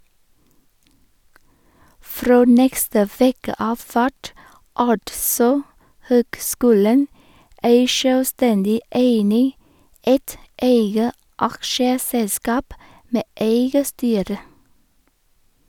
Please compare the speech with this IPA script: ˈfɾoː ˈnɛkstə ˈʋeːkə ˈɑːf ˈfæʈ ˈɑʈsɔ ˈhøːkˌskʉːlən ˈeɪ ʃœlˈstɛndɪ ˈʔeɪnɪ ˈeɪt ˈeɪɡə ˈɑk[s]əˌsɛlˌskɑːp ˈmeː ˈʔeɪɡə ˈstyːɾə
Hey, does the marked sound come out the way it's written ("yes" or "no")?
no